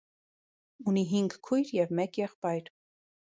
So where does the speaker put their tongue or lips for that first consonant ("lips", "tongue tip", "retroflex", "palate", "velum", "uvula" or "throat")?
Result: tongue tip